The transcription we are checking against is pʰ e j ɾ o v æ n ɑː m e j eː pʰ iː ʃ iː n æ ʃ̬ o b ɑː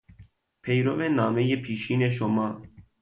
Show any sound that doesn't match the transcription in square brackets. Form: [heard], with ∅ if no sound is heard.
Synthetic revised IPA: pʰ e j ɾ o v [e] n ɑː m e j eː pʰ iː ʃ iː n [e] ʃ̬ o [m] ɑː